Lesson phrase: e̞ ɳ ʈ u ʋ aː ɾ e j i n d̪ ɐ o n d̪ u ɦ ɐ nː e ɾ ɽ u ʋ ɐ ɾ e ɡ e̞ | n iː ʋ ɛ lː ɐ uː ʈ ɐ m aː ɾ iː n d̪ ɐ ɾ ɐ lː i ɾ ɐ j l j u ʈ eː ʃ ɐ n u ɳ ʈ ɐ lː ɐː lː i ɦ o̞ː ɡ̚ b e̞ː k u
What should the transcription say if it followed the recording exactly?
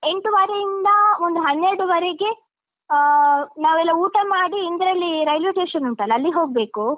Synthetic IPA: e̞ ɳ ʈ u ʋ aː ɾ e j i n d̪ ɐ o n d̪ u ɦ ɐ nː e ɾ ɽ u ʋ ɐ ɾ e ɡ e̞ | n aː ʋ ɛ lː ɐ uː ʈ ɐ m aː ɽ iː n d̪ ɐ ɾ ɐ lː i ɾ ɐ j l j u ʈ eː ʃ ɐ n u ɳ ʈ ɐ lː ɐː lː i ɦ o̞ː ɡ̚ b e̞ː k u